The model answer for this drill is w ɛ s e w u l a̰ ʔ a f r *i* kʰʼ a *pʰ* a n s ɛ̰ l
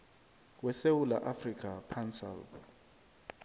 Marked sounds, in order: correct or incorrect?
correct, correct

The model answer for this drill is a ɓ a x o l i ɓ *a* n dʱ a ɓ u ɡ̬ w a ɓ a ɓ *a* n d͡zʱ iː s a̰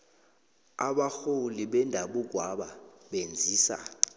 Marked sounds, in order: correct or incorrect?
incorrect: ɛ, incorrect: e

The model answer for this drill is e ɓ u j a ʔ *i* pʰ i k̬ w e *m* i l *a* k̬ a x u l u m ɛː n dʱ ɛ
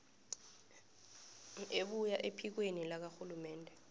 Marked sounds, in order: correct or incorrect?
incorrect: e, incorrect: n, correct

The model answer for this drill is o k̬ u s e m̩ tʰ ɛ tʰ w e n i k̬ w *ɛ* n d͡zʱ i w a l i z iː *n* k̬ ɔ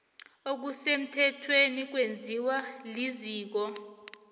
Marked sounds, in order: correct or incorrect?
incorrect: e, incorrect: none

